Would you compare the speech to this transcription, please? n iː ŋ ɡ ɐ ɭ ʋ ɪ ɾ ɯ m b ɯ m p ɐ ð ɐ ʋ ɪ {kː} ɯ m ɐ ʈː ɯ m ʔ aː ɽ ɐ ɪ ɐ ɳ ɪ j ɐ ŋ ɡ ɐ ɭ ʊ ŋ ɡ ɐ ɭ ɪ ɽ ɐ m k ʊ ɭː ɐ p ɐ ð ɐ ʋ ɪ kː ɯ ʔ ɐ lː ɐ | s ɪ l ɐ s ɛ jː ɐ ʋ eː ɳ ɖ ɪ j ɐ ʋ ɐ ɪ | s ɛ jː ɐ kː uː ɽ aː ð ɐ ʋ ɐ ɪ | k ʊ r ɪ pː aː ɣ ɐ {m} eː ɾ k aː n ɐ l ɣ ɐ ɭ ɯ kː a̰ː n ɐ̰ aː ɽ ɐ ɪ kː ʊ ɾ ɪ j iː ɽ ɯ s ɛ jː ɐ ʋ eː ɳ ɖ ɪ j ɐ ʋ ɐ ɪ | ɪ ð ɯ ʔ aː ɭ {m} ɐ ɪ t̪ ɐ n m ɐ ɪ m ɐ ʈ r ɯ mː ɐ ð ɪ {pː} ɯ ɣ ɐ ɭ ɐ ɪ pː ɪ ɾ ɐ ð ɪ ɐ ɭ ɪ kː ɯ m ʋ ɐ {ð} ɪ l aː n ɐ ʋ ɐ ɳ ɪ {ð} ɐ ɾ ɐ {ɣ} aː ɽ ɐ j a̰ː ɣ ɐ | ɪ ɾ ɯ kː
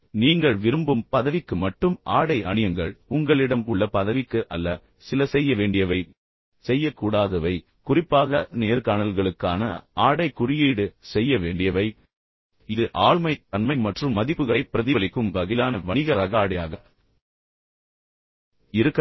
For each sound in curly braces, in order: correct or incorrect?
correct, incorrect: n, correct, correct, incorrect: ɣ, incorrect: ɣ, correct

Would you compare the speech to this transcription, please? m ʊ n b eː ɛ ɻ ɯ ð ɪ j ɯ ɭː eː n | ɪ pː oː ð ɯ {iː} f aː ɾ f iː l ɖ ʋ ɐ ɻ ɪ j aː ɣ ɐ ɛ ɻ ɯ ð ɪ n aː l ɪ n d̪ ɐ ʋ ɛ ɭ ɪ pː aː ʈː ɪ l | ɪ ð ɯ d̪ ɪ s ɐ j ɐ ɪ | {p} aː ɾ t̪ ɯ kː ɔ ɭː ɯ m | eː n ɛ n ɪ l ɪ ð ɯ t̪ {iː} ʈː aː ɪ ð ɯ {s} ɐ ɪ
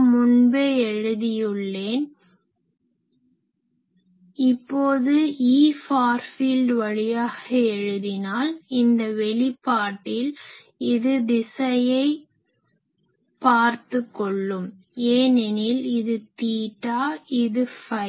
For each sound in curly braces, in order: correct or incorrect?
correct, correct, correct, incorrect: f

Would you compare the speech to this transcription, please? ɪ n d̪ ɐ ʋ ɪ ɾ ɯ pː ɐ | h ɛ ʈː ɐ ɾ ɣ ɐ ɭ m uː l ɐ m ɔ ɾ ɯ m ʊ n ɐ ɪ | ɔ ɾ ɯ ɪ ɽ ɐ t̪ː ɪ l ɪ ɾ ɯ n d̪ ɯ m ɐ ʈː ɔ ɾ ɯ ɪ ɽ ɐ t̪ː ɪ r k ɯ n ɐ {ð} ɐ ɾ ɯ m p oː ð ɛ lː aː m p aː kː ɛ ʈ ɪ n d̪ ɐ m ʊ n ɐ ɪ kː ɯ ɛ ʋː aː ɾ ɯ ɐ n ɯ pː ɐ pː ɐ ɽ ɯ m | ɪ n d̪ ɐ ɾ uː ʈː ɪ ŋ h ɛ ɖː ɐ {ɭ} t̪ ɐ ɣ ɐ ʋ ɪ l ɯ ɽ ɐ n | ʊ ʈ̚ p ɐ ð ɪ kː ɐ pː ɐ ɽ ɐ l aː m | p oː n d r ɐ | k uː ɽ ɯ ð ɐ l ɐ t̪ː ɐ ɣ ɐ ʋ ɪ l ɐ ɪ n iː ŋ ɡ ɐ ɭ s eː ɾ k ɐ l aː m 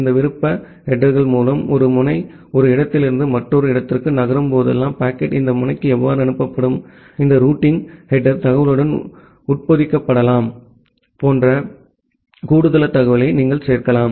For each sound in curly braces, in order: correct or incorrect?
incorrect: ɣ, incorrect: ɾ

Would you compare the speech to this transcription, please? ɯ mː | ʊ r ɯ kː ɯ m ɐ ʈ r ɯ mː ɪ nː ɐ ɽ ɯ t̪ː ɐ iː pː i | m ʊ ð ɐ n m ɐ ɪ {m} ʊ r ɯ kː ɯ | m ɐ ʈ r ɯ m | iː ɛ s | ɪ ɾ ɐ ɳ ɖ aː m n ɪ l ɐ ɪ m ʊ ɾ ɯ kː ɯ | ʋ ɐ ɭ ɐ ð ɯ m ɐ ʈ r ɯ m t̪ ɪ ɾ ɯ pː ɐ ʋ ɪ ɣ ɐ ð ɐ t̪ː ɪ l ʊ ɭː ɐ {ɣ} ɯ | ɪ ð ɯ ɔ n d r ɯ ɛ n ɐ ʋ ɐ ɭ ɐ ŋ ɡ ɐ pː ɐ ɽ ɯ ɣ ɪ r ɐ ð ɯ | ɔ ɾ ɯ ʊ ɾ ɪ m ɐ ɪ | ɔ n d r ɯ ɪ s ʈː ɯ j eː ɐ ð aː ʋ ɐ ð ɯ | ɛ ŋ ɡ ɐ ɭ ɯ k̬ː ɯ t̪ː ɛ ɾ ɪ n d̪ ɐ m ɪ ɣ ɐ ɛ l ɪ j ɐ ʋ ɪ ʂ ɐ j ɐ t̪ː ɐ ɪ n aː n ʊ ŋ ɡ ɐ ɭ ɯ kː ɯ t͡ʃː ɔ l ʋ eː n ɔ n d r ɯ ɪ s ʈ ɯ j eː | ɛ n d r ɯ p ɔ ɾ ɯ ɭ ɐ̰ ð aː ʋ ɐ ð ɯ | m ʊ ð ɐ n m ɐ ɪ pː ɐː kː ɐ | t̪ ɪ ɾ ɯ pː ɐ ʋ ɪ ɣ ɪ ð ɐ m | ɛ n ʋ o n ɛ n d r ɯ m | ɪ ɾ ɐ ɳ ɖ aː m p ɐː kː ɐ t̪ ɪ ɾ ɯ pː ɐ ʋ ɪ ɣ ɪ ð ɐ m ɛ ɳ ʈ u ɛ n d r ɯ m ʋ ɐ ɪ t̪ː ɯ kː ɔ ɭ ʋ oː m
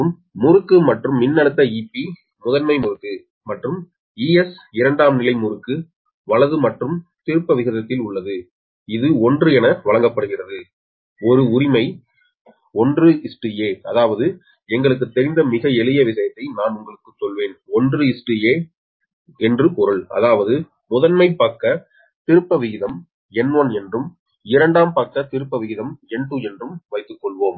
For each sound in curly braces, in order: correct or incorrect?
correct, incorrect: ð

